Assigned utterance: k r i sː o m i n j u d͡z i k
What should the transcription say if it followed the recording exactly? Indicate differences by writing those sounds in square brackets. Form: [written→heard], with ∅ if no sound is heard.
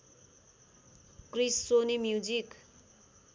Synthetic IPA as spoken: k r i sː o [m→n] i [n→m] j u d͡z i k